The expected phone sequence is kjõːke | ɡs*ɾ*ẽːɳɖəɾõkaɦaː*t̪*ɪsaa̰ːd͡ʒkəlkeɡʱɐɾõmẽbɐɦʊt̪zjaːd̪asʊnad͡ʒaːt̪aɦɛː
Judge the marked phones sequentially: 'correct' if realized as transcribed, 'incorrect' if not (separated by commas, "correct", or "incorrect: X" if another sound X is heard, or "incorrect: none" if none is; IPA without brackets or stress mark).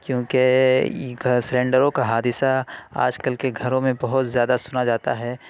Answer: correct, incorrect: d̪